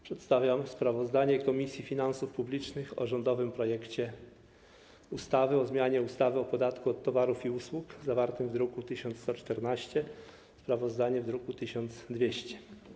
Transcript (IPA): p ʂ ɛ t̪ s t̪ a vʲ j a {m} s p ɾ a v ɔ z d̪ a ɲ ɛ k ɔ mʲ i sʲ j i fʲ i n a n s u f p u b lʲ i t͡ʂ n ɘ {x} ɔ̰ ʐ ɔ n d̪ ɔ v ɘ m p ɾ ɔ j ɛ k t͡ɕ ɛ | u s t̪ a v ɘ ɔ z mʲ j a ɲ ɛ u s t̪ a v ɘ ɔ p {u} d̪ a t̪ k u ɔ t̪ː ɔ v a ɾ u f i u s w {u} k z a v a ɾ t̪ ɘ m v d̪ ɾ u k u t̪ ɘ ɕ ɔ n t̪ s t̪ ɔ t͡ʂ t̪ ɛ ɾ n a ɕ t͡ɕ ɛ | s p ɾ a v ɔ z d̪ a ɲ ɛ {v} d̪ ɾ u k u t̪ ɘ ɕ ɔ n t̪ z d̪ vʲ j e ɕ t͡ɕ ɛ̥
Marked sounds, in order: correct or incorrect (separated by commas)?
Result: correct, correct, incorrect, correct, correct